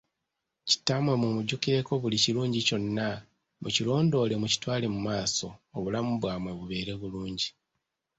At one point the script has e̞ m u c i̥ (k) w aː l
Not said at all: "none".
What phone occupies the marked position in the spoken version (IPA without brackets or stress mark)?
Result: t